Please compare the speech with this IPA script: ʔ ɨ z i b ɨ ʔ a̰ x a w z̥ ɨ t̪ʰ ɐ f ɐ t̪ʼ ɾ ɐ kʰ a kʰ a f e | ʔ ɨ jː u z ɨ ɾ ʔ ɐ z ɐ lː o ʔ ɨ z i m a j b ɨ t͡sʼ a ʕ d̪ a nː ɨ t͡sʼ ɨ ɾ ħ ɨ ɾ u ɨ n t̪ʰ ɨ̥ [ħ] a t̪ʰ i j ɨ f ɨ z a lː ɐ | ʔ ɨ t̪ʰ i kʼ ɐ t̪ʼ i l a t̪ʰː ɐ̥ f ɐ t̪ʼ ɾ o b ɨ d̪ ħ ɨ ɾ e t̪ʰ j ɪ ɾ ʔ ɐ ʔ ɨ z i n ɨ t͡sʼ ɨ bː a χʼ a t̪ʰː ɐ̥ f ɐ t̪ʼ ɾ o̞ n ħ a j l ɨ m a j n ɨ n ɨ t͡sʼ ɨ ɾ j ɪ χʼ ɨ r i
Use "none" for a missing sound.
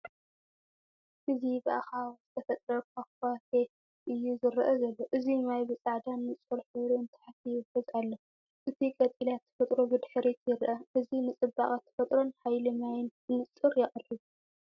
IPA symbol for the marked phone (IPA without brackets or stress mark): ħ